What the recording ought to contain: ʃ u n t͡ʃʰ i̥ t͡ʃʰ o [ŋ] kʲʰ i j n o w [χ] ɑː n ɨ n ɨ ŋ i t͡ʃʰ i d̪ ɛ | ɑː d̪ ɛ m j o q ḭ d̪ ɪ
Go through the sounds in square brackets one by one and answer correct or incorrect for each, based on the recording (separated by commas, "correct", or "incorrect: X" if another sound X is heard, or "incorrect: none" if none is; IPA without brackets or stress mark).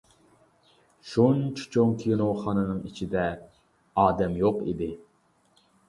correct, correct